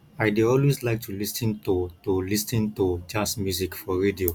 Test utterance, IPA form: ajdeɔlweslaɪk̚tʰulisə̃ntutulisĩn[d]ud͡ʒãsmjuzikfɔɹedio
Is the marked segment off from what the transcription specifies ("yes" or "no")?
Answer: yes